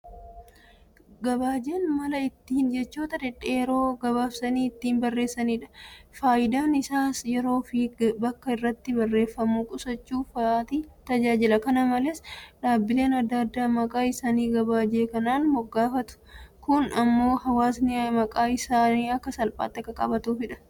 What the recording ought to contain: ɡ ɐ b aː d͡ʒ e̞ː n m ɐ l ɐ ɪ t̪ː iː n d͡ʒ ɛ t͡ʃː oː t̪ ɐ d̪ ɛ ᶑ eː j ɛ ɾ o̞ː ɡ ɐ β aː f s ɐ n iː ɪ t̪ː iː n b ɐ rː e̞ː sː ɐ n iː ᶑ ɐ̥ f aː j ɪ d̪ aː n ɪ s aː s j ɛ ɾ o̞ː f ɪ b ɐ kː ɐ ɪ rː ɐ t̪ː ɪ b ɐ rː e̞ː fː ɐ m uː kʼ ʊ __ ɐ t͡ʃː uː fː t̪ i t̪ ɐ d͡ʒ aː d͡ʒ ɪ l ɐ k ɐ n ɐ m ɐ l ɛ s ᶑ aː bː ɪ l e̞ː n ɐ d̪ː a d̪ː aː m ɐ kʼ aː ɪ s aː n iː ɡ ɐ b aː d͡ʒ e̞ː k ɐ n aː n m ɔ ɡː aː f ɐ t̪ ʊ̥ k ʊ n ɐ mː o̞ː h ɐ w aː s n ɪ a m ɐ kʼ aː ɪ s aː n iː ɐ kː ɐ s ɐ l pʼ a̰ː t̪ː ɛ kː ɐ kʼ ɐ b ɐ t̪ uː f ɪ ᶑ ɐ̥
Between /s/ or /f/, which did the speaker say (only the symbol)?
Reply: s